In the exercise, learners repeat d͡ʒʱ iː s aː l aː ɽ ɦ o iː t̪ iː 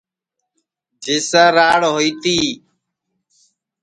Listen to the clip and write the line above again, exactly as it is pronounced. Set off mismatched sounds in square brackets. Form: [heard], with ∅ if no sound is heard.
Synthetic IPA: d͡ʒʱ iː s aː [ɾ] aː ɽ ɦ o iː t̪ iː